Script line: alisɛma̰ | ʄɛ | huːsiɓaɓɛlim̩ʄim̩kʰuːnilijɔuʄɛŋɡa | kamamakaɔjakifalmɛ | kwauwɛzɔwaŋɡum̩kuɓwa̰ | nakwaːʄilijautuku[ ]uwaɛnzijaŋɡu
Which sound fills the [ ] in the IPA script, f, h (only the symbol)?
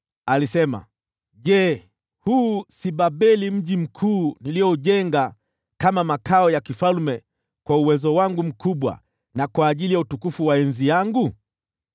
f